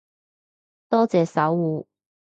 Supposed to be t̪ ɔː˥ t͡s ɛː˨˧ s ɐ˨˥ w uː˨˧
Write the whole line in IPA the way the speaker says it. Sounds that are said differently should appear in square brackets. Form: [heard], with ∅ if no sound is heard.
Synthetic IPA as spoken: t̪ ɔː˥ t͡s ɛː˨˧ s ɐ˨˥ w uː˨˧